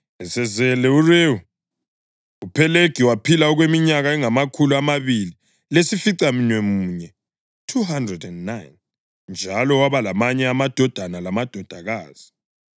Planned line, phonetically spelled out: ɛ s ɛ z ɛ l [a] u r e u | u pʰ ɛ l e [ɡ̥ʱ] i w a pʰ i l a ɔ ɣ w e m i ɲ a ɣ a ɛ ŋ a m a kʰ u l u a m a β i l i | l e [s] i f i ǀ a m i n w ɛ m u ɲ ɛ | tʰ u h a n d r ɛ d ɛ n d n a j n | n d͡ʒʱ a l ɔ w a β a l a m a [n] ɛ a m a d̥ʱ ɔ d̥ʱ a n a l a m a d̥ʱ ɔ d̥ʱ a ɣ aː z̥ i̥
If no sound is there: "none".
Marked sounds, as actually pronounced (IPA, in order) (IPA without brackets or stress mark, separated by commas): ɛ, ɡ̥ʱ, s, ɲ